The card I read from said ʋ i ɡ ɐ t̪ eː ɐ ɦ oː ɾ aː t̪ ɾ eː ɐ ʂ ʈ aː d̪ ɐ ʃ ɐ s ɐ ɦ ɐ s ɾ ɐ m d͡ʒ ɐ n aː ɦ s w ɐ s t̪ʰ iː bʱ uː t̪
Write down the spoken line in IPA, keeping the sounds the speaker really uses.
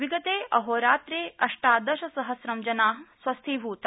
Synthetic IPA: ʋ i ɡ ɐ t̪ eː ɐ ɦ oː ɾ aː t̪ ɾ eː ɐ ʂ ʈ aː d̪ ɐ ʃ ɐ s ɐ ɦ ɐ s ɾ ɐ m d͡ʒ ɐ n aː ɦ s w ɐ s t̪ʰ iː bʱ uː t̪